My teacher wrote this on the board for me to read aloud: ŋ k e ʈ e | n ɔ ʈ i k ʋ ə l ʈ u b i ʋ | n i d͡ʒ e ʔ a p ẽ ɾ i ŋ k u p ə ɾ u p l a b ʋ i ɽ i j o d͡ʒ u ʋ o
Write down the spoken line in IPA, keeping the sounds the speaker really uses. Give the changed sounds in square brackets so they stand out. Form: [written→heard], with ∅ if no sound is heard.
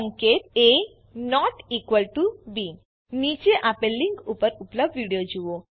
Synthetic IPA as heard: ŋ k e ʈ e | n ɔ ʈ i k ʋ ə l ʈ u b i [ʋ→∅] | n i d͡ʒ e ʔ a p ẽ [ɾ→l] i ŋ k u p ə ɾ u p l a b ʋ i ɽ i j o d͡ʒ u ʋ o